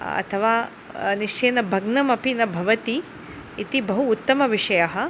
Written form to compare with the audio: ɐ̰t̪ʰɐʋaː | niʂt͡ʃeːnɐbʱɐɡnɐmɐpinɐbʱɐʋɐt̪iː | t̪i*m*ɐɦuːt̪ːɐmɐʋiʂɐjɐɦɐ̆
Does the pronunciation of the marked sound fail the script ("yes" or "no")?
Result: yes